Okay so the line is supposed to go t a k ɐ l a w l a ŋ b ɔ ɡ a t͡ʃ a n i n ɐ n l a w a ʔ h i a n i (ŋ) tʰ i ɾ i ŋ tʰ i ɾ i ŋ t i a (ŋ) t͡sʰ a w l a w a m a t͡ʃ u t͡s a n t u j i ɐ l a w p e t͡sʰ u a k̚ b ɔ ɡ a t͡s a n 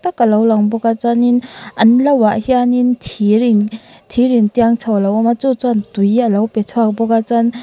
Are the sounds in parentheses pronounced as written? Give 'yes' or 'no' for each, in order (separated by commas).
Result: no, yes